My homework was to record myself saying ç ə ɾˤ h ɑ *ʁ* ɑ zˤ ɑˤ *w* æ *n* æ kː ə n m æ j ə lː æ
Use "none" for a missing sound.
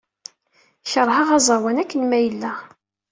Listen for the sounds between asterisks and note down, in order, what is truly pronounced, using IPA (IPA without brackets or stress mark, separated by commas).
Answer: ʁ, w, n